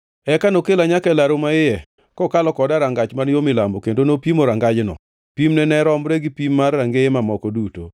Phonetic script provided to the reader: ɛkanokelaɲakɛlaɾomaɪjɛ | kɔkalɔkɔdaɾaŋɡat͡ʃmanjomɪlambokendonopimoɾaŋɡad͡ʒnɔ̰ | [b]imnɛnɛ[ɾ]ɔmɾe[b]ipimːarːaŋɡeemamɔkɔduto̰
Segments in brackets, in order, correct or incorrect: incorrect, correct, incorrect

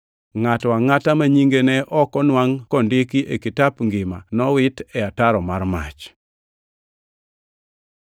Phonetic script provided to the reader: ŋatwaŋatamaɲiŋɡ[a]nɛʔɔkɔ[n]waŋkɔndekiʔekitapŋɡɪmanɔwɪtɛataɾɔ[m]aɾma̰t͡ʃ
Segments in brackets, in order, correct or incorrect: incorrect, correct, correct

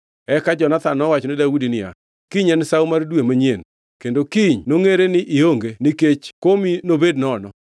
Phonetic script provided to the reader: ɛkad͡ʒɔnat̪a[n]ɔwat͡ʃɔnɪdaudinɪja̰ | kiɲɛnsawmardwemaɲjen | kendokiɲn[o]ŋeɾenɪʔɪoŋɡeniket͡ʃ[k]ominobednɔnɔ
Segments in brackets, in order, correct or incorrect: correct, correct, correct

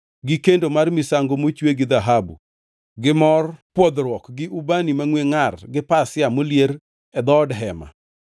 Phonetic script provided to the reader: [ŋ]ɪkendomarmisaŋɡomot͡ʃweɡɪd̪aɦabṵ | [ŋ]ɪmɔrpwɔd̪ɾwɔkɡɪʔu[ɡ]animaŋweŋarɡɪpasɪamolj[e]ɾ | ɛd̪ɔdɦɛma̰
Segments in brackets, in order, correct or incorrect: incorrect, incorrect, incorrect, correct

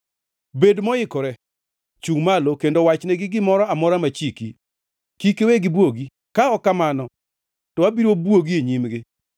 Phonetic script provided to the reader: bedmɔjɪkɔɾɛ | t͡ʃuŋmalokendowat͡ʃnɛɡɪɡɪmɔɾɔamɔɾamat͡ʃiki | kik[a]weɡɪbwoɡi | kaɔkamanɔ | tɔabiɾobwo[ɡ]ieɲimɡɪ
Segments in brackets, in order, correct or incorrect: incorrect, correct

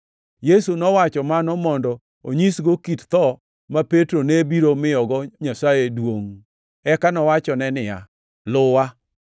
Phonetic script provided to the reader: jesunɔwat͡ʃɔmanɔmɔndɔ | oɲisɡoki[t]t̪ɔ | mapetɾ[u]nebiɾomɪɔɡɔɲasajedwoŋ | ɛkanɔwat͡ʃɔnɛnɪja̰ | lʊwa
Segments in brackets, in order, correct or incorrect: correct, incorrect

